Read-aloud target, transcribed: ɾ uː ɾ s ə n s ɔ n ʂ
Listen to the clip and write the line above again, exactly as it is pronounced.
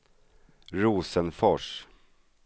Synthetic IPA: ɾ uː s ə n f ɔ ʂ